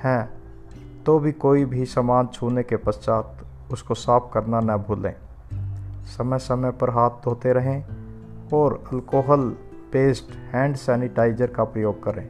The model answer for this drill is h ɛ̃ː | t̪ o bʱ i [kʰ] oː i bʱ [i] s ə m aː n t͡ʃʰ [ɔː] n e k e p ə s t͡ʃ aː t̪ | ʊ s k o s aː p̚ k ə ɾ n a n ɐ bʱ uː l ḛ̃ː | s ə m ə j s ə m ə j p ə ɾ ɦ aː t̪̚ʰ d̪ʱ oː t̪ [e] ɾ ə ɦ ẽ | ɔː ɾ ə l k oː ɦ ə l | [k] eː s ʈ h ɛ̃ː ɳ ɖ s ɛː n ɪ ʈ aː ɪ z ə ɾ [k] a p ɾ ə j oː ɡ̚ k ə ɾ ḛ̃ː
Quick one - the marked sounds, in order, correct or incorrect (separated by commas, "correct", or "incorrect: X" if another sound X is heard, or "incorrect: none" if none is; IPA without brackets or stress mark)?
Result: incorrect: k, correct, incorrect: uː, correct, incorrect: p, correct